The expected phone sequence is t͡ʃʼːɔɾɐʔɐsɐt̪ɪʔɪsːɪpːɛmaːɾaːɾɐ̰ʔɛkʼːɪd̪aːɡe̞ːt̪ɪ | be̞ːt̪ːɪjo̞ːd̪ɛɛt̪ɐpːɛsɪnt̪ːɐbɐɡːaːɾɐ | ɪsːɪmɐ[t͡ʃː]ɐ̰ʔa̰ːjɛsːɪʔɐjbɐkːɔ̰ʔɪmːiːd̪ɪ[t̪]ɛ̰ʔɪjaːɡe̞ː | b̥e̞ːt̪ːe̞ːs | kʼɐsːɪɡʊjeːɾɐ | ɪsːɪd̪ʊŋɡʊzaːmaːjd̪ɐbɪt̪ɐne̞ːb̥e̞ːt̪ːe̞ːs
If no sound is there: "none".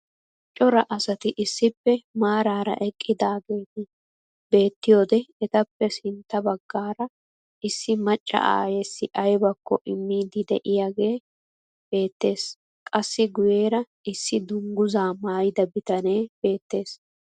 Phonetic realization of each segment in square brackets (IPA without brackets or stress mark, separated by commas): t͡ʃʼː, d̪